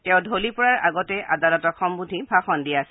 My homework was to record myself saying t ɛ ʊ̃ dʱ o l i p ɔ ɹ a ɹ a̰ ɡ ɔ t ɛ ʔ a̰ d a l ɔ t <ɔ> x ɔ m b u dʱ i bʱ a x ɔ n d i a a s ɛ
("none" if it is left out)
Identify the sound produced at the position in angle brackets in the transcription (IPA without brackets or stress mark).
ɔ